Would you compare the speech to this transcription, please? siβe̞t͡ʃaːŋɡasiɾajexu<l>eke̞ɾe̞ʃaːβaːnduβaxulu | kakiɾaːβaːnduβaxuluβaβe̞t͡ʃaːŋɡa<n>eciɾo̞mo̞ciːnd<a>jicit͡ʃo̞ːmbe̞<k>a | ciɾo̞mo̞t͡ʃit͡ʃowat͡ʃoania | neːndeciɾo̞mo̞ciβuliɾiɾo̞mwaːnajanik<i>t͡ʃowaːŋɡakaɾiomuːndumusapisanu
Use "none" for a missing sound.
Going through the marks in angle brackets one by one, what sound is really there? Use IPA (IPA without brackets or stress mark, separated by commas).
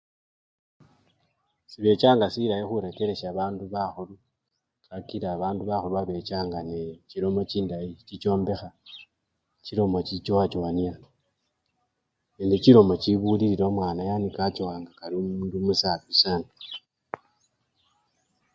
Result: ɾ, n, a, x, a